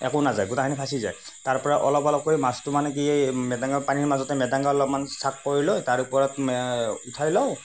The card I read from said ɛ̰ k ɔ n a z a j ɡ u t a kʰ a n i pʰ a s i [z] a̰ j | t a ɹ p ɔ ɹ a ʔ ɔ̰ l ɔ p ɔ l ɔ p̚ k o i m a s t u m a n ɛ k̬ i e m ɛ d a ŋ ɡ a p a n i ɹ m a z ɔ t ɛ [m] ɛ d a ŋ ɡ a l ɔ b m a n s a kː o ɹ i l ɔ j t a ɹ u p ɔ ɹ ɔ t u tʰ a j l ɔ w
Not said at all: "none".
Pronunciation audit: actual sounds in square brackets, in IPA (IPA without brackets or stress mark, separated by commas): z, m